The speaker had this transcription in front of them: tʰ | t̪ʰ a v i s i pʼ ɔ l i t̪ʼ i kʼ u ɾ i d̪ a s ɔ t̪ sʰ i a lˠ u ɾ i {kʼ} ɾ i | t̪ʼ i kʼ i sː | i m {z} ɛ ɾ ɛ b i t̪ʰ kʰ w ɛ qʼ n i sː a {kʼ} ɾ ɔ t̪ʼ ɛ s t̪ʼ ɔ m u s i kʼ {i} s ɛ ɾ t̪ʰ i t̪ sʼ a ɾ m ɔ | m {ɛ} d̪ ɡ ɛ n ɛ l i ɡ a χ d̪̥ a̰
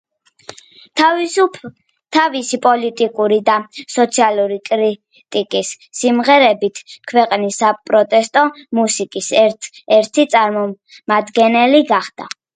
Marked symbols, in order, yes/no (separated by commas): yes, no, no, yes, no